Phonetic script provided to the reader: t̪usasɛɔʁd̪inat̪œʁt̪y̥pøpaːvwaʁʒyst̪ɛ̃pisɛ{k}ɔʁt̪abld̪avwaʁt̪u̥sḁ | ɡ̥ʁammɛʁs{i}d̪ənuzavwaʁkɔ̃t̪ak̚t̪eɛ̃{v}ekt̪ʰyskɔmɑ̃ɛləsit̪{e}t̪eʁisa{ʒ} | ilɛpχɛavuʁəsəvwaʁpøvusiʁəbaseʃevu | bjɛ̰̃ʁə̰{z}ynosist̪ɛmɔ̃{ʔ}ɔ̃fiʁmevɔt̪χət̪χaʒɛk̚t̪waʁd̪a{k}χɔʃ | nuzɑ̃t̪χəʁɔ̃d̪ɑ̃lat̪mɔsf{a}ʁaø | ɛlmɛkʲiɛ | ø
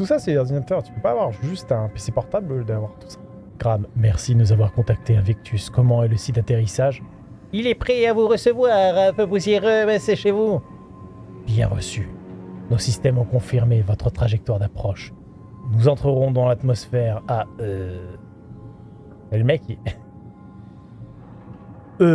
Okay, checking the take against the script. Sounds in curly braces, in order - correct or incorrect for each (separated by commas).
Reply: incorrect, correct, correct, incorrect, correct, incorrect, incorrect, incorrect, incorrect